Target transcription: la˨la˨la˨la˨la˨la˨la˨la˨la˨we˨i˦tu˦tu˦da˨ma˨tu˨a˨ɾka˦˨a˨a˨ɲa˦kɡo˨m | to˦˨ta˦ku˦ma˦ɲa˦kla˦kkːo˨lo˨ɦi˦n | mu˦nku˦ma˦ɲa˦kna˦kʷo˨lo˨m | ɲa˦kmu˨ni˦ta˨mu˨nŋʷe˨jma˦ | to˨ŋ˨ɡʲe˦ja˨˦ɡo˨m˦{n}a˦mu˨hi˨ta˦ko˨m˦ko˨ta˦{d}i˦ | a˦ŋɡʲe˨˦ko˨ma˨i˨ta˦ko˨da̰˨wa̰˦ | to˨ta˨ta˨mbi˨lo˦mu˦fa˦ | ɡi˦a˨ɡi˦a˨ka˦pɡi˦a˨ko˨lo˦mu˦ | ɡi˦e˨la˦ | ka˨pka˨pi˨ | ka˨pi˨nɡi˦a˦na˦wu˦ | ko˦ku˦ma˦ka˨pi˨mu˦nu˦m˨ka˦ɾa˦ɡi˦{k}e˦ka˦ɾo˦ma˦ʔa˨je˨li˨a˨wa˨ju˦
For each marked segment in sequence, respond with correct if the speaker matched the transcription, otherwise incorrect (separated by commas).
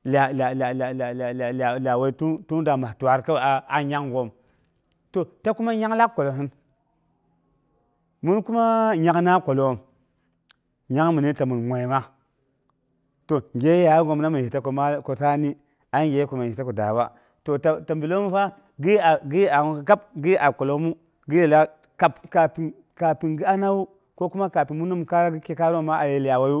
correct, incorrect, correct